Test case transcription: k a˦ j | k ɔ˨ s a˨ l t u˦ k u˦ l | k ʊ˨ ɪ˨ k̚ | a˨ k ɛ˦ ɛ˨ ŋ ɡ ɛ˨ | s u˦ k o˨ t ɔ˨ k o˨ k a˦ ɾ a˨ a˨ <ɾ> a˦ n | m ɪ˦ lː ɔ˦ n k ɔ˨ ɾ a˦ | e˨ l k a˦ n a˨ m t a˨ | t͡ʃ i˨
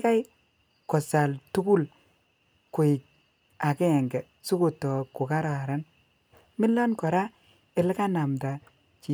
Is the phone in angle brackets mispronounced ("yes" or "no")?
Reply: no